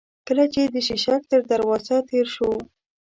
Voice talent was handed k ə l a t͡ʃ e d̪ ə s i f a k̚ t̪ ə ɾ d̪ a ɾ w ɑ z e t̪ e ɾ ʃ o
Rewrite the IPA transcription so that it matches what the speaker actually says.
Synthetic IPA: k ə l a t͡ʃ e d̪ ə ʃ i ʃ a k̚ t̪ ə ɾ d̪ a ɾ w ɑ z a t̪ e ɾ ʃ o